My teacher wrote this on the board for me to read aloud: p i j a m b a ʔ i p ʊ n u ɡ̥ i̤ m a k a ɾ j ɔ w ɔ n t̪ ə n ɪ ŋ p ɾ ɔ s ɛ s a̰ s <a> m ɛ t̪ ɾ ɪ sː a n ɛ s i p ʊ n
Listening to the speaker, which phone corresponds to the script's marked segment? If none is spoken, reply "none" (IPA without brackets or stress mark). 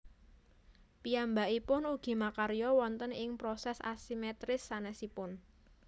i